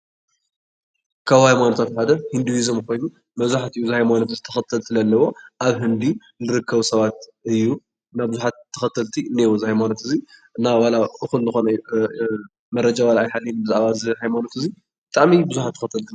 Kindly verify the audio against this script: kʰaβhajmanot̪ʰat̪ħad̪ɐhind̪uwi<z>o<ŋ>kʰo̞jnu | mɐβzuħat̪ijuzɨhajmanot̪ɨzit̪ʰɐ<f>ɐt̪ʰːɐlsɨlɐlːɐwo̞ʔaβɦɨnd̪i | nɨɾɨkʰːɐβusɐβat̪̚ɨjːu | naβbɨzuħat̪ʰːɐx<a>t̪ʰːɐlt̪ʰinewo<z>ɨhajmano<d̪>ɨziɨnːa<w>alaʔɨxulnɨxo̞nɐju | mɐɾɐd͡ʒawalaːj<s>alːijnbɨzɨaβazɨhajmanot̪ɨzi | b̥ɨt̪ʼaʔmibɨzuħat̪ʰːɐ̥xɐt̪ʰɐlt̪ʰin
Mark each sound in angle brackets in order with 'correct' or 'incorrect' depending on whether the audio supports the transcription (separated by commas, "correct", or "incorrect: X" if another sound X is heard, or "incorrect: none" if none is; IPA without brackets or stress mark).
correct, incorrect: m, incorrect: x, incorrect: ɐ, correct, incorrect: t̪, correct, incorrect: ħ